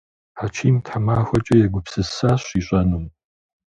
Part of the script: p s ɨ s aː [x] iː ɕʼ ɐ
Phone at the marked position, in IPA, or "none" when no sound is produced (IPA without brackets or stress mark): ɕ